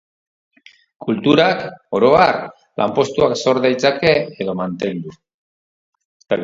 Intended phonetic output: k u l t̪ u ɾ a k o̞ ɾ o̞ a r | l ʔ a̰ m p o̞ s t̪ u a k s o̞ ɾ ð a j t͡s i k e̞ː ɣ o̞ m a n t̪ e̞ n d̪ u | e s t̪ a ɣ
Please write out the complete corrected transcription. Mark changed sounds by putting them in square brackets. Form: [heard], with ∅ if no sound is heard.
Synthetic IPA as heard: k u l t̪ u ɾ a k o̞ ɾ o̞ a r | l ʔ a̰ m p o̞ s t̪ u a k s o̞ ɾ ð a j t͡s [a] k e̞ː [ð] o̞ m a n t̪ e̞ n d̪ u | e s t̪ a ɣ